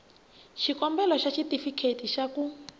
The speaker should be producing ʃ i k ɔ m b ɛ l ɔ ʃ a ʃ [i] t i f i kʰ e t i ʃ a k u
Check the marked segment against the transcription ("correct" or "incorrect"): correct